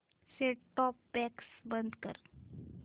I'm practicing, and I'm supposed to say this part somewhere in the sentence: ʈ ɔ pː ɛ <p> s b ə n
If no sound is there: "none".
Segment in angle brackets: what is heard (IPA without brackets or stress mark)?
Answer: k